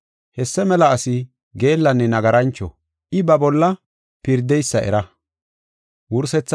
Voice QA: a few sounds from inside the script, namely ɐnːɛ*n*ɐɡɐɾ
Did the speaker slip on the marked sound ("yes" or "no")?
no